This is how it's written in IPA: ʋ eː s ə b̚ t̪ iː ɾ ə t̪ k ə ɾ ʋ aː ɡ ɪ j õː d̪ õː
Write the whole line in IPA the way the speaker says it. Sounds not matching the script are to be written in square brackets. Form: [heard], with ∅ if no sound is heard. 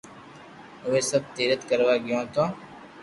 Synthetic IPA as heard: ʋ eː s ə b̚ t̪ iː ɾ ə t̪ k ə ɾ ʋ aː ɡ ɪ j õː [t̪] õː